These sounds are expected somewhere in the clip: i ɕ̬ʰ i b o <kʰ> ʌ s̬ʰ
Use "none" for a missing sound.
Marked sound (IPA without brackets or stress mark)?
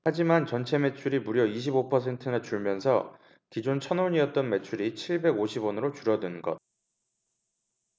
pʰ